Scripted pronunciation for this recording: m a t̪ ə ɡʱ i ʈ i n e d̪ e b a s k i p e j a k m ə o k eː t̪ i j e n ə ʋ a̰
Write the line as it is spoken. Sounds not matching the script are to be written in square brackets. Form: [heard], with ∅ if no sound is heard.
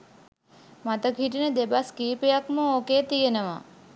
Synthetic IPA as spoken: m a t̪ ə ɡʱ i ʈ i n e d̪ e b a s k i p e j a k m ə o k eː t̪ i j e n ə ʋ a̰